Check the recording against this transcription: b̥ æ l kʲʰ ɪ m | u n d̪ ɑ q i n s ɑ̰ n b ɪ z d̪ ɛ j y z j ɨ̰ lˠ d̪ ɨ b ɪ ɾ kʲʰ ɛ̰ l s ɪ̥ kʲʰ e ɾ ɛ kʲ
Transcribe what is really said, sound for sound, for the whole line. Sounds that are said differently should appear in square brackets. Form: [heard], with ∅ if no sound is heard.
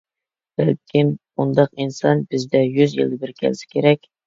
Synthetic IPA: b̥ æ l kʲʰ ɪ m | u n d̪ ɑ q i n s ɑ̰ n b ɪ z d̪ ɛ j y z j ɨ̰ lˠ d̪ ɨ b ɪ ɾ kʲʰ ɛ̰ l s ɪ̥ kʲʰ e ɾ ɛ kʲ